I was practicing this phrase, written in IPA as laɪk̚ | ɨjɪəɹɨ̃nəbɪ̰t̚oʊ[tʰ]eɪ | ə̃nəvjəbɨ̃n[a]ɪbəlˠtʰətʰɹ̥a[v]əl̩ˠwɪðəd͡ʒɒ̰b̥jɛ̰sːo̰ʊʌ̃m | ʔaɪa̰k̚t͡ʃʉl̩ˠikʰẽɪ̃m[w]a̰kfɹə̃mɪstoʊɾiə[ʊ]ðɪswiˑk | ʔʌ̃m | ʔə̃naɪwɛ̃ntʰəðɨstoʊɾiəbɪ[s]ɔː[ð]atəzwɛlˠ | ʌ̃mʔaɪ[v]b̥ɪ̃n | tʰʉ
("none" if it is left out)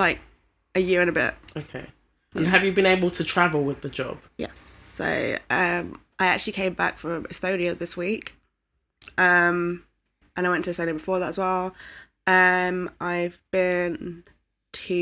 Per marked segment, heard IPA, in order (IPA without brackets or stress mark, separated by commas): kʰ, e, v, b, ʊ, f, ð, v